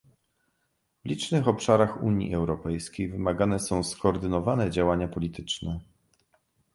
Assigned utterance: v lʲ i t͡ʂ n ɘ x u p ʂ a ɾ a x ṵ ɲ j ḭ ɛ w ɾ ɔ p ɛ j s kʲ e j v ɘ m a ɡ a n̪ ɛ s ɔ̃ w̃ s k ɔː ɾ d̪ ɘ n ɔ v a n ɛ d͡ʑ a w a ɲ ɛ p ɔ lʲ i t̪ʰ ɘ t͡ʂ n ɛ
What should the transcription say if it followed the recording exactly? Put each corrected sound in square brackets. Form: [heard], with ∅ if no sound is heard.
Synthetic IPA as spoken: v lʲ i t͡ʂ n ɘ x [ɔ] p ʂ a ɾ a x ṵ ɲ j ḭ ɛ w ɾ ɔ p ɛ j s kʲ e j v ɘ m a ɡ a n̪ ɛ s ɔ̃ w̃ s k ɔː ɾ d̪ ɘ n ɔ v a n ɛ d͡ʑ a w a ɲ [a] p ɔ lʲ i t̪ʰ ɘ t͡ʂ n ɛ